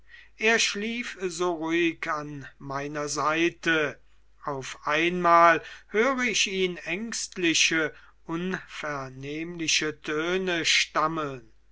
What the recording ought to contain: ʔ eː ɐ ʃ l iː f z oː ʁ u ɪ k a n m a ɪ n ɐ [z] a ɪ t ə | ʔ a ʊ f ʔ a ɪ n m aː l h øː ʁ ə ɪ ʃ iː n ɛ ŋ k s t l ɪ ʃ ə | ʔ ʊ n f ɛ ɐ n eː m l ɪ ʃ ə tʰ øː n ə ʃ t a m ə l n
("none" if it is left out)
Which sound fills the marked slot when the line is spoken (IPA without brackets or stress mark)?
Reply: z